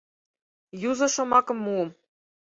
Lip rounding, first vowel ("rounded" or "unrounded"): rounded